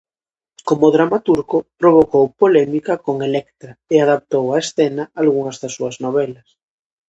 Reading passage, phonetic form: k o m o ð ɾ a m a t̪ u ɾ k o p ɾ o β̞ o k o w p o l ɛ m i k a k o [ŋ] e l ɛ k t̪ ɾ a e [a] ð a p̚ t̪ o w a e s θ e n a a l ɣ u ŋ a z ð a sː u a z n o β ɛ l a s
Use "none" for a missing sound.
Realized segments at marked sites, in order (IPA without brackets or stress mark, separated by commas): ŋ, a